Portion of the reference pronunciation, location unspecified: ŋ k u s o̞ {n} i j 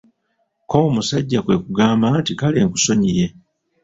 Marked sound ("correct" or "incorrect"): incorrect